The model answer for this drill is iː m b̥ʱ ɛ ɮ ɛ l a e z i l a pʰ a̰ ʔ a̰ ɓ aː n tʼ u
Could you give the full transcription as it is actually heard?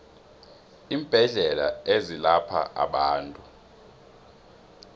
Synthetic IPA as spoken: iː m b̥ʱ ɛ ɮ ɛ l a e z i l a pʰ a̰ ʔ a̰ ɓ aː n tʼ u